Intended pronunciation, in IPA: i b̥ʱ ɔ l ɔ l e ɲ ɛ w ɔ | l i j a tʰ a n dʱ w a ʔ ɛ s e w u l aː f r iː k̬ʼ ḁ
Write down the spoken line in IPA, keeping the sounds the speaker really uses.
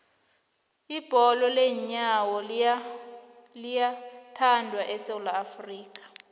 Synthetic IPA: i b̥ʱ ɔ l ɔ l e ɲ a w ɔ | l i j a tʰ a n dʱ w a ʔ ɛ s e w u l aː f r iː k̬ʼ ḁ